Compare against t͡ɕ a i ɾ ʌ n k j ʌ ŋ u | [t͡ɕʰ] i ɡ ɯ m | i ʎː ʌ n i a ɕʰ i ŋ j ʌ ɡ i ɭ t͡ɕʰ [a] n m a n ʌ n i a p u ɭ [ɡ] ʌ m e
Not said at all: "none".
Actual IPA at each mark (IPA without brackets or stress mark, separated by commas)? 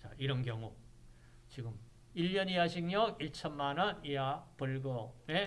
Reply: t͡ɕ, ʌ, ɡ